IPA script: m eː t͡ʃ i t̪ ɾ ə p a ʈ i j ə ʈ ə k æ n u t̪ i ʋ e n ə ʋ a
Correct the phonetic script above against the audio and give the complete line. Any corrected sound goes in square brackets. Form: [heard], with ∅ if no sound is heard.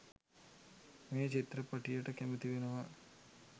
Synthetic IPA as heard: m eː t͡ʃ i t̪ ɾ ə p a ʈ i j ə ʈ ə k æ [m] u t̪ i ʋ e n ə ʋ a

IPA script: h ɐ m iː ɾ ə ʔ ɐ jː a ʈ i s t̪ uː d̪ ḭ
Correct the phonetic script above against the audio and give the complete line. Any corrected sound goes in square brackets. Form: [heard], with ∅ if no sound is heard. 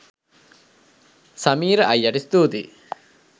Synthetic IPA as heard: [s] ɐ m iː ɾ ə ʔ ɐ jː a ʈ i s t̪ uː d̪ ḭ

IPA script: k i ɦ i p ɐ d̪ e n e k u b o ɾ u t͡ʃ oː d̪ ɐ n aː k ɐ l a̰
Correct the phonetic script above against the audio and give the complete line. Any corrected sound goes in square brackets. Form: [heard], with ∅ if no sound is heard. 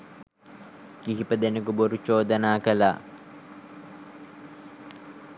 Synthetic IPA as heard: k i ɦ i p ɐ d̪ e n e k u b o ɾ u t͡ʃ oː d̪ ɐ n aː k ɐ l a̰

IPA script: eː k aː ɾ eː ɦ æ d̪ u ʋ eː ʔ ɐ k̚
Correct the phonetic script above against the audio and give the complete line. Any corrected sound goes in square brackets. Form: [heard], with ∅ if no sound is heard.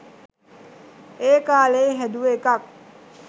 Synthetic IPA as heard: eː k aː [l] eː ɦ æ d̪ u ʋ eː [k] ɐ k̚

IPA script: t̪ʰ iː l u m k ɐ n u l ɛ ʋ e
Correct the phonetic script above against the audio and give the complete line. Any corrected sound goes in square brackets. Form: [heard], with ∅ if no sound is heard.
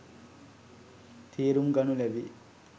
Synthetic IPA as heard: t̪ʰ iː [ɾ] u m [ɡ] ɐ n u l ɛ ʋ [i]

